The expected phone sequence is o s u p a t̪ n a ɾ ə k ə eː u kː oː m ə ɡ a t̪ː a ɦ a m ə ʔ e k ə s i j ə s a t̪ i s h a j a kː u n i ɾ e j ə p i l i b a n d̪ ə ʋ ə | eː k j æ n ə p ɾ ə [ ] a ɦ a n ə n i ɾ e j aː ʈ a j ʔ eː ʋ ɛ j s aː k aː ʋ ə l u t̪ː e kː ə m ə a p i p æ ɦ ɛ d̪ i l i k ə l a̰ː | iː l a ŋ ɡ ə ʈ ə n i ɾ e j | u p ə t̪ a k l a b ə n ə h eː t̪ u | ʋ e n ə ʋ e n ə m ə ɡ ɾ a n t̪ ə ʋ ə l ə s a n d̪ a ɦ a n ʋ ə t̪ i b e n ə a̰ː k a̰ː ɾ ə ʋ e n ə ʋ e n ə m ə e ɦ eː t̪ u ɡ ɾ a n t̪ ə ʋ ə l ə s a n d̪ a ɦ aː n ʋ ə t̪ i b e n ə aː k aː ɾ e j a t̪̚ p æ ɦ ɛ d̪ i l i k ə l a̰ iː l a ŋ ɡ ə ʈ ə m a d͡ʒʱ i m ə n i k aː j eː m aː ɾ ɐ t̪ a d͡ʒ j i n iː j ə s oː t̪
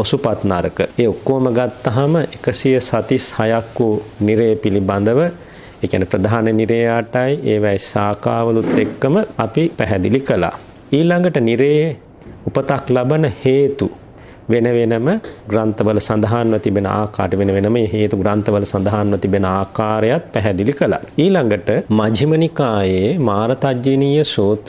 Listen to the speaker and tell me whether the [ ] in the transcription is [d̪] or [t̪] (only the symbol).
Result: d̪